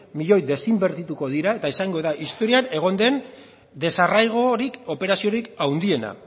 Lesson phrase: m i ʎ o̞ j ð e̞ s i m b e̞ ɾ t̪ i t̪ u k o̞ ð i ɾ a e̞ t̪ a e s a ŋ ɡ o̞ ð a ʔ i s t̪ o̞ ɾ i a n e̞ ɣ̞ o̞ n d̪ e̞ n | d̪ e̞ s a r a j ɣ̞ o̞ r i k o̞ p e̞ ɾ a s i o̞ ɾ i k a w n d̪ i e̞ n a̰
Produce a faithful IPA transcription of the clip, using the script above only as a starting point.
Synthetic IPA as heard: m i ʎ o̞ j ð e̞ s i m b e̞ ɾ t̪ i t̪ u k o̞ ð i ɾ a e̞ t̪ a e s a ŋ ɡ o̞ ð a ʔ i s t̪ o̞ ɾ i a n e̞ ɣ̞ o̞ n d̪ e̞ n | d̪ e̞ s a r a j ɣ̞ o̞ ɾ i k o̞ p e̞ ɾ a s i o̞ ɾ i k a w n d̪ i e̞ n a̰